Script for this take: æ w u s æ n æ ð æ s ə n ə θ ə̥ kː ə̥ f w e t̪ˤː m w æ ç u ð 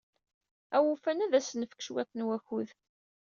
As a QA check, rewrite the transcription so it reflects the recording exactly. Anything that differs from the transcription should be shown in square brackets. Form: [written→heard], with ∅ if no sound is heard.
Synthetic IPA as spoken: æ w u [s→f] æ n æ ð æ s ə n ə [θ→f] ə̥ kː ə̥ [f→ʃ] w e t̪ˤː [m→n] w æ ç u ð